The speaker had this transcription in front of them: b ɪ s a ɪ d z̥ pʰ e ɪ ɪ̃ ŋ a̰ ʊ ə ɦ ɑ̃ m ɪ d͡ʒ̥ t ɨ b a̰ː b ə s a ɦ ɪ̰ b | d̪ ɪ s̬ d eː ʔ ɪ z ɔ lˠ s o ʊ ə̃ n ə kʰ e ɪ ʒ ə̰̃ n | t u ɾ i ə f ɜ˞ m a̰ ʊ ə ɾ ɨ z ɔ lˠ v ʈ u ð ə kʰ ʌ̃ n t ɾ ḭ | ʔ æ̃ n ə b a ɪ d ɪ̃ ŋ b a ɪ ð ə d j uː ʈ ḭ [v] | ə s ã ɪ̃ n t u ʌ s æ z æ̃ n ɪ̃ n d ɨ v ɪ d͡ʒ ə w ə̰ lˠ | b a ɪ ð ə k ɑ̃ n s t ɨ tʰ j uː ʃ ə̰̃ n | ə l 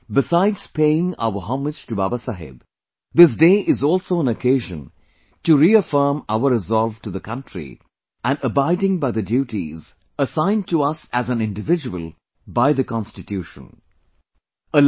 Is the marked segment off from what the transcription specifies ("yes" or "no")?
yes